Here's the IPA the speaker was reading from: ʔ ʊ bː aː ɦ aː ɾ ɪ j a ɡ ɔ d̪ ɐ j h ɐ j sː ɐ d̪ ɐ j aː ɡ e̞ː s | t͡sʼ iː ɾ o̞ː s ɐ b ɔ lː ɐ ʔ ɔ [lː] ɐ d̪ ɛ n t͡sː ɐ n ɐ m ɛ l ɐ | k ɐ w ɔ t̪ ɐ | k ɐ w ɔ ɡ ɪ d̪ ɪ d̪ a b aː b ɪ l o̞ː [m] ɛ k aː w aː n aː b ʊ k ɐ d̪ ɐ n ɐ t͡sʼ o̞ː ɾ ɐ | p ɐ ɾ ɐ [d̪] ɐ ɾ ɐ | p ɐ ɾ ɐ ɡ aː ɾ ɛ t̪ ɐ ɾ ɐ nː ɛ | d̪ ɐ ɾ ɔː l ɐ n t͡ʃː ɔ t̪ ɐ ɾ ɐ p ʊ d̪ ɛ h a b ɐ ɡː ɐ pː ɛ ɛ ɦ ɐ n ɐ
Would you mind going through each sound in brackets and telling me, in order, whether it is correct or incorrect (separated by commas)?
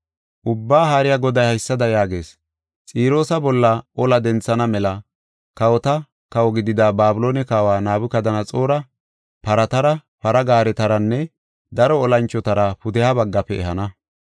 incorrect, incorrect, incorrect